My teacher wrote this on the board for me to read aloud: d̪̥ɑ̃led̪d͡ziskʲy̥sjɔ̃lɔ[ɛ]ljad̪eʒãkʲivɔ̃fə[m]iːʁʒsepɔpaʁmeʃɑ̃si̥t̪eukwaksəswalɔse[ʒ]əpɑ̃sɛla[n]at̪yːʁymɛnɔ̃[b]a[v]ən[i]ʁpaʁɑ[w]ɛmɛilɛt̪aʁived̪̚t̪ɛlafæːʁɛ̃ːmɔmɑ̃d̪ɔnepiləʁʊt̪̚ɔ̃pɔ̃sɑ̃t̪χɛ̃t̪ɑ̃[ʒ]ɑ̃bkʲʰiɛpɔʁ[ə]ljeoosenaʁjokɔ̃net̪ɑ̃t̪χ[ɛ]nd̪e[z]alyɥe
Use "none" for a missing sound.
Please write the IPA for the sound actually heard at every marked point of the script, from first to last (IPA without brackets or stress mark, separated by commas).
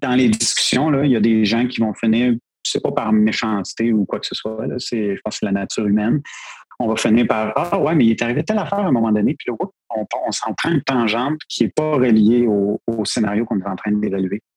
i, n, ʒ, n, v, f, iː, w, ʒ, ə, ɛ̃, v